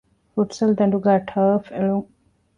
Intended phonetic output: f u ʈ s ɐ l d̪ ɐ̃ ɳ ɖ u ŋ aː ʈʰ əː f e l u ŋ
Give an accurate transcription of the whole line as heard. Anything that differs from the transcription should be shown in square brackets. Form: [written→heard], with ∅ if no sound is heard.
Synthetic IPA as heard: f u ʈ s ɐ l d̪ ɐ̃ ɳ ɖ u [ŋ→ɡ] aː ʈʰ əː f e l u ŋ